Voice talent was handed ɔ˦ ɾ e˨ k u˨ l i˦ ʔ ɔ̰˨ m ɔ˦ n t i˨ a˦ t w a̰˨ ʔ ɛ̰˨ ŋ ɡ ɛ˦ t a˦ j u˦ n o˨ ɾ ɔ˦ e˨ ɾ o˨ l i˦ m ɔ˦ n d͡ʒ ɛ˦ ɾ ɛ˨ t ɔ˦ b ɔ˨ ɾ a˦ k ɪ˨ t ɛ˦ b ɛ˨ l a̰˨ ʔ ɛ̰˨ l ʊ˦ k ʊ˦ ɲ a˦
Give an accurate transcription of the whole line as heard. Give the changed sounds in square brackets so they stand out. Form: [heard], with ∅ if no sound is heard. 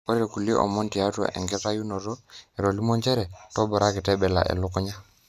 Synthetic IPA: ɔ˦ ɾ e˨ k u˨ l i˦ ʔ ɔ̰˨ m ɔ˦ n t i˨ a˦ t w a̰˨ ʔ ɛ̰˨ ŋ ɡ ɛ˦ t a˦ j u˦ n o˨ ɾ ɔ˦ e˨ ɾ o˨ l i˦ m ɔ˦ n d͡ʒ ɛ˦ ɾ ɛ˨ t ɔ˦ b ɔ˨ ɾ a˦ k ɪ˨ t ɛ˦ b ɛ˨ l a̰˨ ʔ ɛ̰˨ l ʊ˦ k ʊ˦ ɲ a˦